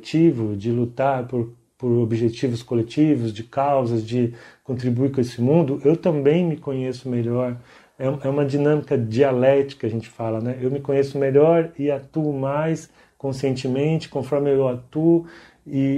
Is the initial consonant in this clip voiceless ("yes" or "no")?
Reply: yes